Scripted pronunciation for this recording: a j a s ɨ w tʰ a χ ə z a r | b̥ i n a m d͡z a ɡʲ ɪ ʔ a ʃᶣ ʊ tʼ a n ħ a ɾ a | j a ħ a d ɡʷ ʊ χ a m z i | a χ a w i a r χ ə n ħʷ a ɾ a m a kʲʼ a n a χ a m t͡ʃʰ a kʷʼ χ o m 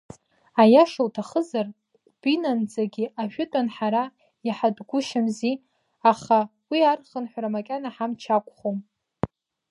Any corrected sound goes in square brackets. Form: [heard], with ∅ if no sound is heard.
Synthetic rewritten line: a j a [ʂ] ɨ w tʰ a χ ə z a r | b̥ i n a [n] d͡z a ɡʲ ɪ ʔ a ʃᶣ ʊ tʼ a n ħ a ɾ a | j a ħ a d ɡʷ ʊ [ʃ] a m z i | a χ a w i a r χ ə n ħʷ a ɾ a m a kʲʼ a n a [ħ] a m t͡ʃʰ a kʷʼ χ o m